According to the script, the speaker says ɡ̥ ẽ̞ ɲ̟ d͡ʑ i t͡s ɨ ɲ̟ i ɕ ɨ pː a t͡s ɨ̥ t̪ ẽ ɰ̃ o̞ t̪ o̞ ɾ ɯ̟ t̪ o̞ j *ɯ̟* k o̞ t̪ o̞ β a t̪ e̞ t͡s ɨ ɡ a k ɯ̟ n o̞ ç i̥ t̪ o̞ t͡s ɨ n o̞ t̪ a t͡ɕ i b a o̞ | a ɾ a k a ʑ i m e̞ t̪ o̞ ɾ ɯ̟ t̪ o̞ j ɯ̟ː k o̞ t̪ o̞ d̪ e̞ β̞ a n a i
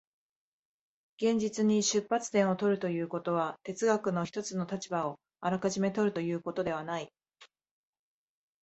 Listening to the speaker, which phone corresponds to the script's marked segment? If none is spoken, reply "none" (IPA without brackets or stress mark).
ɯ̟ː